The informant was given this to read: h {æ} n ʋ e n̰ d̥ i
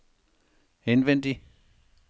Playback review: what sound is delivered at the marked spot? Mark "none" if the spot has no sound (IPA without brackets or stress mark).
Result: e